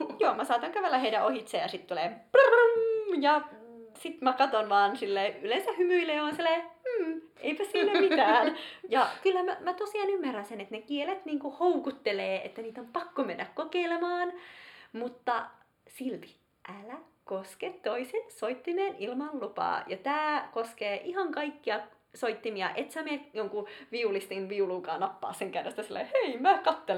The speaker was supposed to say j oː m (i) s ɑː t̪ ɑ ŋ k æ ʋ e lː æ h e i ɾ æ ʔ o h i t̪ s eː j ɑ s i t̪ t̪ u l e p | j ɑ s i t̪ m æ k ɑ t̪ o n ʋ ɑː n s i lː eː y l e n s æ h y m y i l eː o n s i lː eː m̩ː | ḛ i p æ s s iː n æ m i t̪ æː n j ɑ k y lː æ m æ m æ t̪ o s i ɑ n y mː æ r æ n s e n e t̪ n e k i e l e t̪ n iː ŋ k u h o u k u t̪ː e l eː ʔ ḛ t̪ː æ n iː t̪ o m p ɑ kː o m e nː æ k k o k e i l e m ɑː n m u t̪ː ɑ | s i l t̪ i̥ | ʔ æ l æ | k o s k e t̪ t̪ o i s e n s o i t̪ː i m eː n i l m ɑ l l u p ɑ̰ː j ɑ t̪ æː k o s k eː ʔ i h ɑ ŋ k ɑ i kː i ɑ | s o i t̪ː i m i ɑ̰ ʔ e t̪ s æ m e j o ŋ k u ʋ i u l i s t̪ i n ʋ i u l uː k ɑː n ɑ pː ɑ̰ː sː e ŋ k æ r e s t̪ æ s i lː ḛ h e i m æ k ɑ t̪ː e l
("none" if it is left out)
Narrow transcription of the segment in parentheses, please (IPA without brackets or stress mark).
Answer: æ